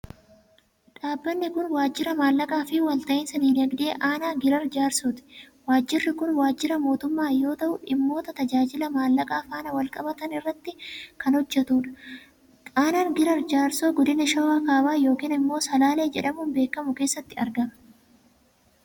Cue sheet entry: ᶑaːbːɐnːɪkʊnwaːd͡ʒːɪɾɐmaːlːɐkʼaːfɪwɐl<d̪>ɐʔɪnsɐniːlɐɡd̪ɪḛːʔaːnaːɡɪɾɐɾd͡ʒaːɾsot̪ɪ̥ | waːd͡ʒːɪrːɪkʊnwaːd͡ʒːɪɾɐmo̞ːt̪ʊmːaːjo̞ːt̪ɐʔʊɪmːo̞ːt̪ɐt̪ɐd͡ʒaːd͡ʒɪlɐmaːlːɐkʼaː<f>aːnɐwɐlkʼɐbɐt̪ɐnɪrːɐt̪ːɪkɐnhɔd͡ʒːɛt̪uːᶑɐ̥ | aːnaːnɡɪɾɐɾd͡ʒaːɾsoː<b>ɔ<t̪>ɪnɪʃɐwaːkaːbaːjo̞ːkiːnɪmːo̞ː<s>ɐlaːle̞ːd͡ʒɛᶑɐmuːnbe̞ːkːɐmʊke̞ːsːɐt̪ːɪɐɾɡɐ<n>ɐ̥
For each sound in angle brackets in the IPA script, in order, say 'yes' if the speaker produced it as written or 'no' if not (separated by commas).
no, yes, no, no, yes, no